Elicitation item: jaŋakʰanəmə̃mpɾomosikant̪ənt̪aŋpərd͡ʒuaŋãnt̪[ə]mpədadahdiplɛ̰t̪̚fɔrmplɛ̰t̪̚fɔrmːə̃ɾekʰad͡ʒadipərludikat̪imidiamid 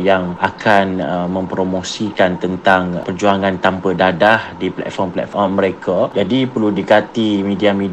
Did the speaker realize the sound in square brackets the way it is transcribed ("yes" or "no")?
no